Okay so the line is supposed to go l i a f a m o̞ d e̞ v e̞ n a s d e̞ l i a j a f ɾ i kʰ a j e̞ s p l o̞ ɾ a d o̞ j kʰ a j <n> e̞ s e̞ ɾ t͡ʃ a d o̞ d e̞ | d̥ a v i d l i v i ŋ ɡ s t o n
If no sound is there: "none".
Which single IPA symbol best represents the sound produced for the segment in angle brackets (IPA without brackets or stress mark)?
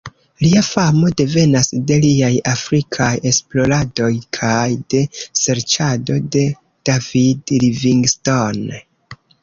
d